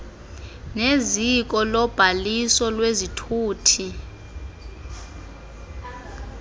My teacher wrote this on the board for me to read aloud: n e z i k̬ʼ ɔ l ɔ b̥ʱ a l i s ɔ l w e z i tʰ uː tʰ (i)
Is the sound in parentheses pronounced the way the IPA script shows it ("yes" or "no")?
yes